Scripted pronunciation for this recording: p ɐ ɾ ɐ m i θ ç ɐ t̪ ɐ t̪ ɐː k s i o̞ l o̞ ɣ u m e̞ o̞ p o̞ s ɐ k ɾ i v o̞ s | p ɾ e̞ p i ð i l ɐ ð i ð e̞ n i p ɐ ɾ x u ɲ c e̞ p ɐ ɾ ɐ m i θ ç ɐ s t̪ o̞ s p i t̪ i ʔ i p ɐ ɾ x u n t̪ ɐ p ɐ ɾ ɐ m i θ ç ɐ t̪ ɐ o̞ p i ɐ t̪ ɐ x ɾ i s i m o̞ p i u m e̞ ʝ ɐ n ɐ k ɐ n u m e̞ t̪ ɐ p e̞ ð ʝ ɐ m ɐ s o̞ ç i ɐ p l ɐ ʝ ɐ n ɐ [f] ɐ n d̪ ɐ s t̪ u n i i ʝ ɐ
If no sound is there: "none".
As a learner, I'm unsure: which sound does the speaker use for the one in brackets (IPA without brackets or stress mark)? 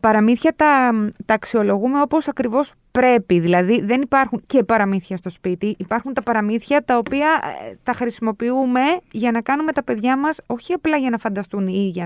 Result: f